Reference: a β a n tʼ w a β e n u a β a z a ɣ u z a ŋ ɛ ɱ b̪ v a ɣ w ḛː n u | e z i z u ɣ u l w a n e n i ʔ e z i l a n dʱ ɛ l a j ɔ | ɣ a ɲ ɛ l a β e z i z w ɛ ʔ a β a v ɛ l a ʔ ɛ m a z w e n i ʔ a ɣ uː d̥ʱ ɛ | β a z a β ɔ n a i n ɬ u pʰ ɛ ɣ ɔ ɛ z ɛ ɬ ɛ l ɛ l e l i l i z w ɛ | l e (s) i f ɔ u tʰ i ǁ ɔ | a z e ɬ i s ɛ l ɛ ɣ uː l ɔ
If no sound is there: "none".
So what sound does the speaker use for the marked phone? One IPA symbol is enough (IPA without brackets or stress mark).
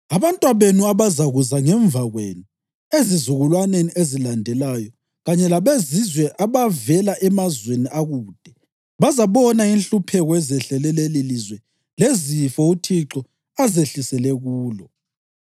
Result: z